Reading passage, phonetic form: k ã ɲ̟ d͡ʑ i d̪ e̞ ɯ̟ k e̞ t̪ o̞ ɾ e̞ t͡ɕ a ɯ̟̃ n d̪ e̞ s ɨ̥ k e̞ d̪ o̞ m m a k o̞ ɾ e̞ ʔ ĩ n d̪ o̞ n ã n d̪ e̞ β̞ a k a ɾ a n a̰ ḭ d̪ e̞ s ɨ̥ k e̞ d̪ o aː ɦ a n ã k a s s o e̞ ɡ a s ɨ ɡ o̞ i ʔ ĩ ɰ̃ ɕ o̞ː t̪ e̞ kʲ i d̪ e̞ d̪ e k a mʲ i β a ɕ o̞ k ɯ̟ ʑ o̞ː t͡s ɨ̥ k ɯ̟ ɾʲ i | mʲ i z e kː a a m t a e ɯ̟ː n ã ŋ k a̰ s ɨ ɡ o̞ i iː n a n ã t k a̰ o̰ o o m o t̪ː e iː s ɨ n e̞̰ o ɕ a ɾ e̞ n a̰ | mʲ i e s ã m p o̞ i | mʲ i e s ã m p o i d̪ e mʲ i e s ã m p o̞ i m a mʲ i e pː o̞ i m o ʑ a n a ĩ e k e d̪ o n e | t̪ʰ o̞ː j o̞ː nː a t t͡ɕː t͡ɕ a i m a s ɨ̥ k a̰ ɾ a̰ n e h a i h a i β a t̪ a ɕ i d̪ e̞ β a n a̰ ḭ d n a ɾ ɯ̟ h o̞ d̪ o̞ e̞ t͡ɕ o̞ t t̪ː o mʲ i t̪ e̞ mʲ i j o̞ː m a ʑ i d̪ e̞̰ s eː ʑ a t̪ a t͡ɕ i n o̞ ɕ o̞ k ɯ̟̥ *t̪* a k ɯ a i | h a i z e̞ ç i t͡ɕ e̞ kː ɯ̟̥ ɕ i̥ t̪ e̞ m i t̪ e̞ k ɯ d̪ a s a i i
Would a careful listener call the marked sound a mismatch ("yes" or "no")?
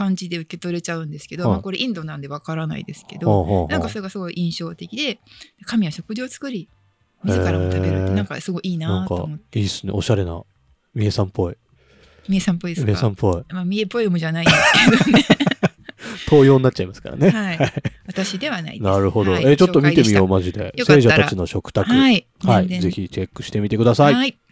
no